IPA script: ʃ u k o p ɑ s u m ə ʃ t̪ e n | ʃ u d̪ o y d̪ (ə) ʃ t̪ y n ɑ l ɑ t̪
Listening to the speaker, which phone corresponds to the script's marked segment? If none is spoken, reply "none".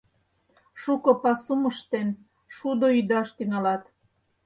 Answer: ɑ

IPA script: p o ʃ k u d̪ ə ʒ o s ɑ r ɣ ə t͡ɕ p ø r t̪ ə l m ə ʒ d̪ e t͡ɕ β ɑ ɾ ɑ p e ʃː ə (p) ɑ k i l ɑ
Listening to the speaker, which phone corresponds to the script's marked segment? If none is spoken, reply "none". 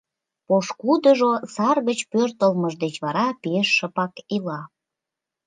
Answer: p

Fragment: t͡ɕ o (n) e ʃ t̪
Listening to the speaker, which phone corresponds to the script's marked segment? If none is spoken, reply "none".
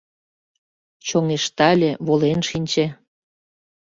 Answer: ŋ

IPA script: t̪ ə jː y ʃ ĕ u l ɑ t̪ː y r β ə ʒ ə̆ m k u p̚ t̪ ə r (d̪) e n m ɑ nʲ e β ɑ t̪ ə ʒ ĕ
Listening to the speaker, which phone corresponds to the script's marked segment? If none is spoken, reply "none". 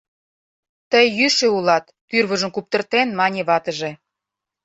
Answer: t̪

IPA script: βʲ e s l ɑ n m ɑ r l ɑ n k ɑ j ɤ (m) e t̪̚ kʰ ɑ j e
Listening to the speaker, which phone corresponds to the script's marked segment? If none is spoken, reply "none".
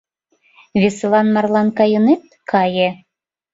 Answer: n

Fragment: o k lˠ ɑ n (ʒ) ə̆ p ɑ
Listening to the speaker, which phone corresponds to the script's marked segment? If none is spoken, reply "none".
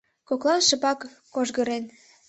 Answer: ʃ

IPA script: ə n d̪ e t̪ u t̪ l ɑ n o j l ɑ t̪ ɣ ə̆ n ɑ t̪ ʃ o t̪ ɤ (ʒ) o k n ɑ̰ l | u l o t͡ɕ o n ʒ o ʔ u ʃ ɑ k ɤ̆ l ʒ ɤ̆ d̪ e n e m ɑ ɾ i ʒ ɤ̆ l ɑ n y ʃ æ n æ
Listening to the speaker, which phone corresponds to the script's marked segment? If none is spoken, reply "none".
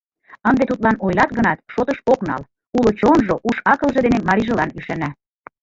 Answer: ʃ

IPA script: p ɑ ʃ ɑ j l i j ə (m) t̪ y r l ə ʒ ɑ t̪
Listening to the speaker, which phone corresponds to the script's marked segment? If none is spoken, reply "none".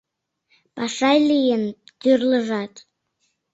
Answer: n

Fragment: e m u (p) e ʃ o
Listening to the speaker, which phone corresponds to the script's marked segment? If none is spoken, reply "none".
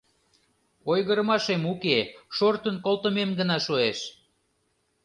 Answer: k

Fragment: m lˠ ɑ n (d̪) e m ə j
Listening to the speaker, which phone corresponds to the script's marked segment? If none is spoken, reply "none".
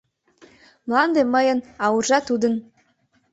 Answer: d̪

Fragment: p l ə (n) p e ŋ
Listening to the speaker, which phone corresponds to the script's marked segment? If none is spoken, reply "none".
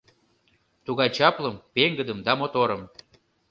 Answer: m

